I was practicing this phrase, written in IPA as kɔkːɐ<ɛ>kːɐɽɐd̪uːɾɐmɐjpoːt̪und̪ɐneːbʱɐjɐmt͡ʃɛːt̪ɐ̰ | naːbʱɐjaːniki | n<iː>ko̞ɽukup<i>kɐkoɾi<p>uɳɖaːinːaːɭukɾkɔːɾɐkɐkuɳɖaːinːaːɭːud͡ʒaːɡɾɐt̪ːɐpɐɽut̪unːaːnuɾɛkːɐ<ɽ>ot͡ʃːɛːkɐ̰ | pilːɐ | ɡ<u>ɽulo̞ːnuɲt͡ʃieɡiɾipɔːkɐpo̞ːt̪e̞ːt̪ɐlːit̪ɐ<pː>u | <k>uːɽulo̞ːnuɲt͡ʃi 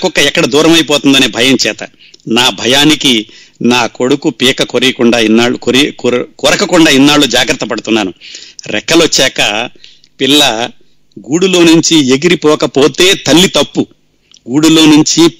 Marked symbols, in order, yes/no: yes, no, no, no, no, no, yes, no

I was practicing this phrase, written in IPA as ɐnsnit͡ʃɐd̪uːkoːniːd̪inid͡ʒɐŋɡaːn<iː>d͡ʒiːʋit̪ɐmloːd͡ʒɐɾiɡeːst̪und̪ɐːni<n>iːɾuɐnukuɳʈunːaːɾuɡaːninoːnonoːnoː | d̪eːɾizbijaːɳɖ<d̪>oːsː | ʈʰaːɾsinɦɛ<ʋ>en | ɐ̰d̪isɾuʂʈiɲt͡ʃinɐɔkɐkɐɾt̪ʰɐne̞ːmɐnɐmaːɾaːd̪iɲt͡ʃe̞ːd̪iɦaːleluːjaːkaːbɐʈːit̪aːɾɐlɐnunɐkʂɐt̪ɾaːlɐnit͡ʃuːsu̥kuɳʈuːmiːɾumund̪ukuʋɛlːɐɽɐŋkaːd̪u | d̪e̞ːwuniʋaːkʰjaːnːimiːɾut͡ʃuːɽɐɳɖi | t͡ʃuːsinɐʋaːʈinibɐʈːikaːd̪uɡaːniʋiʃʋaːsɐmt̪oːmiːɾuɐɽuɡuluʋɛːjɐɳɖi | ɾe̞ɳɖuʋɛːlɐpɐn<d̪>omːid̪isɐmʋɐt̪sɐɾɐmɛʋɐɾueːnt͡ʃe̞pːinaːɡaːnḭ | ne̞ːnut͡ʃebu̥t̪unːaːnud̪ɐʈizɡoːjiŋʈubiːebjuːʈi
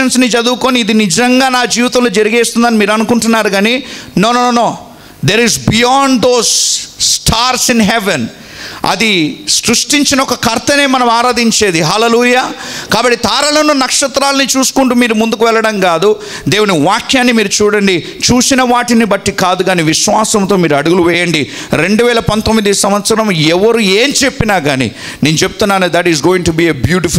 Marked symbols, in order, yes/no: no, no, yes, yes, no

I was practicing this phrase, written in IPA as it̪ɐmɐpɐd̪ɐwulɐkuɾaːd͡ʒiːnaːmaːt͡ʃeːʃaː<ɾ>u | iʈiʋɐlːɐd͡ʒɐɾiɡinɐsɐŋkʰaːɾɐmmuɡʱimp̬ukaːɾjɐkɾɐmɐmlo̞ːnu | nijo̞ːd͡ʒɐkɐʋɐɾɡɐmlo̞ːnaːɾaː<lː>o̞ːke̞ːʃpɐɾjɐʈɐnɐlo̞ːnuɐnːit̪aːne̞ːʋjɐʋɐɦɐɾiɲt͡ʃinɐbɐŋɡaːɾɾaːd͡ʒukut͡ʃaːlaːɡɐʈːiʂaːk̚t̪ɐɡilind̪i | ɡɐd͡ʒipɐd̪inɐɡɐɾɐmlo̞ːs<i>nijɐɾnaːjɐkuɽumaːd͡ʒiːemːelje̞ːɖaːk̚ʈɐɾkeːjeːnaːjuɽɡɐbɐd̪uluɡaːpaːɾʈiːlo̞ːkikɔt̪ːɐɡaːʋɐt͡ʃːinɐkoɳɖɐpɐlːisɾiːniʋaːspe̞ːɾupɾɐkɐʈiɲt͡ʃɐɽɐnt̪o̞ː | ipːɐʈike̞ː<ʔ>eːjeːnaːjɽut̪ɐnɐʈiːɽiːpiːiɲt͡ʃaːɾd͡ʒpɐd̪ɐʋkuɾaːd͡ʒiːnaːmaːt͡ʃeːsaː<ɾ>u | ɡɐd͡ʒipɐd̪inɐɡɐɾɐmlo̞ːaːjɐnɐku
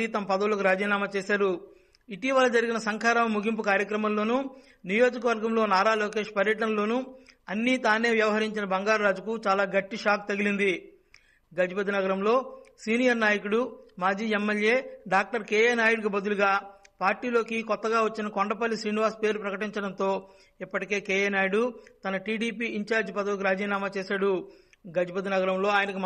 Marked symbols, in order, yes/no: yes, no, no, no, no

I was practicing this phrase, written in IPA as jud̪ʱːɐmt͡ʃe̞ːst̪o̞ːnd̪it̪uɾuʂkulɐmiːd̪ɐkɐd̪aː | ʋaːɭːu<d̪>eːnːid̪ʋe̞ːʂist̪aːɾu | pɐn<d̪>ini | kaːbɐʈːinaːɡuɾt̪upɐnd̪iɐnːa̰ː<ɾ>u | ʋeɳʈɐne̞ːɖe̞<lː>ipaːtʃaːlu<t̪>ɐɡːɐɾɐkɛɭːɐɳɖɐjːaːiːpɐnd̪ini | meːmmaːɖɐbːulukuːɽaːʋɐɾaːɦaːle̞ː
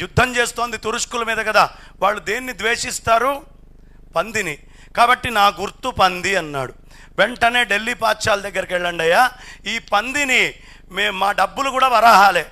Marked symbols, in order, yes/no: yes, yes, no, yes, no

